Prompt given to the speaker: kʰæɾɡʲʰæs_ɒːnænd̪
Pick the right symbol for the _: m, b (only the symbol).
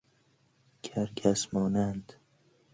m